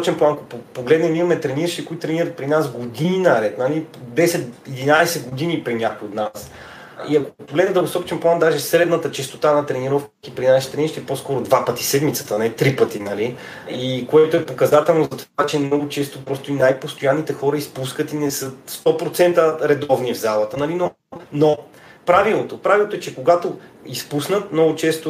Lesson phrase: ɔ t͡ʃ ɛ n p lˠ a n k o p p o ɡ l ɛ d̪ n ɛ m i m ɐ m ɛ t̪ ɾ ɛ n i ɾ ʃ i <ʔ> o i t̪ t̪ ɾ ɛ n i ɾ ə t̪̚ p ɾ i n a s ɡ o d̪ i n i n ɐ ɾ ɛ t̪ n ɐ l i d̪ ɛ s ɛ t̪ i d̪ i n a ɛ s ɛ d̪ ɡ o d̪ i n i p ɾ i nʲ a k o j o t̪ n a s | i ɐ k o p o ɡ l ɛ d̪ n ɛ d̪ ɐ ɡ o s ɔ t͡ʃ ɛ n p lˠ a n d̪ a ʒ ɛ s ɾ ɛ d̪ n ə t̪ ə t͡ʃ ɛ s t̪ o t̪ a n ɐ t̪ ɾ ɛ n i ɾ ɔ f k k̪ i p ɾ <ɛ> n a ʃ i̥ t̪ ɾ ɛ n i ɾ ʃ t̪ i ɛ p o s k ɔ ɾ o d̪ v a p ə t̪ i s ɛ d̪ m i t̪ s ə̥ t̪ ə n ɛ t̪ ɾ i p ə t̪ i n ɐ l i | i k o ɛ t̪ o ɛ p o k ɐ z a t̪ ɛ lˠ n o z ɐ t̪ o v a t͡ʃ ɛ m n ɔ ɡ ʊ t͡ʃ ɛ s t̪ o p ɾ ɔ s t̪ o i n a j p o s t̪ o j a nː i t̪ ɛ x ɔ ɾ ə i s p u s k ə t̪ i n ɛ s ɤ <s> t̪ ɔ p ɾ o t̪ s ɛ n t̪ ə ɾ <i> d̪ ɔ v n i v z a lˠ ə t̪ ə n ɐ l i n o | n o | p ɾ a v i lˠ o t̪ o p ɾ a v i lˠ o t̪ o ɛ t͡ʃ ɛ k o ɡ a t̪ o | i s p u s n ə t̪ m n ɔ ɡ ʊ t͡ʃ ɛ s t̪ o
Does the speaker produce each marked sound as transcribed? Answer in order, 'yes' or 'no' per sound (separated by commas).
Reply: no, no, yes, no